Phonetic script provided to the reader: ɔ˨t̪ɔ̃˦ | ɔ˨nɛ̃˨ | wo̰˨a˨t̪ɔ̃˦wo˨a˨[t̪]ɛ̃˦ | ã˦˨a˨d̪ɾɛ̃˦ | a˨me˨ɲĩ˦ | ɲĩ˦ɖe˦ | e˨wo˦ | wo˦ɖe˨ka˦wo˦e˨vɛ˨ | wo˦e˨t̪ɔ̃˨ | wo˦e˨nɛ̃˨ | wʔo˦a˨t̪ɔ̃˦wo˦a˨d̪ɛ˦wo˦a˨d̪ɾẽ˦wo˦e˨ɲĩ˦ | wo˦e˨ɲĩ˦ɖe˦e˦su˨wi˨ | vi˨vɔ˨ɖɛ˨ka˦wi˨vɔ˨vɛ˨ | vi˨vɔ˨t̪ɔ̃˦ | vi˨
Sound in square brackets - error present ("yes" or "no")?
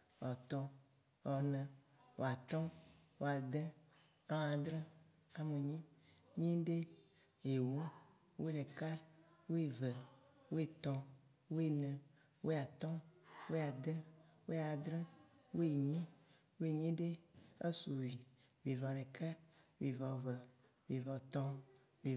yes